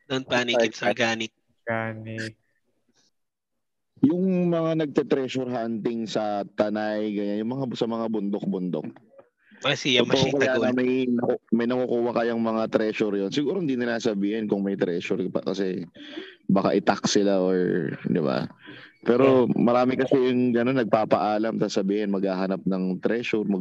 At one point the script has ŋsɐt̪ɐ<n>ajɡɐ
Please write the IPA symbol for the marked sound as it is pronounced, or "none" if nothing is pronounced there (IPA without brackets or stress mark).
n